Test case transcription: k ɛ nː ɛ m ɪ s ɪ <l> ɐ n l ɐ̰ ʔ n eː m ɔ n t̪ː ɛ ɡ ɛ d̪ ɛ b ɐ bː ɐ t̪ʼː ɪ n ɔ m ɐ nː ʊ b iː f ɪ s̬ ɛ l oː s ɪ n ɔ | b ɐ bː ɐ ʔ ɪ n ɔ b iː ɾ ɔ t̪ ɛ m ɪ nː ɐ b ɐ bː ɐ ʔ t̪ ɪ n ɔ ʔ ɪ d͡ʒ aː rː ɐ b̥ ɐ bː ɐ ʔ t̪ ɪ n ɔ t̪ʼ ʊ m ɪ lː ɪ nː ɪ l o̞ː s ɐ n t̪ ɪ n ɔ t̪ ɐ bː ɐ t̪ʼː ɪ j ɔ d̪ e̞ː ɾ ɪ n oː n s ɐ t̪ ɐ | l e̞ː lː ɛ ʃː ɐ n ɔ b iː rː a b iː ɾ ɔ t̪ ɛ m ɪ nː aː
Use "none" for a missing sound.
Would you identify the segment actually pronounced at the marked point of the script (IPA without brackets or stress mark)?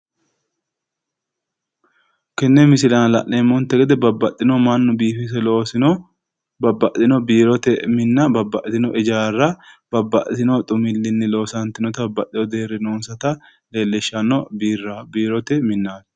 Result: l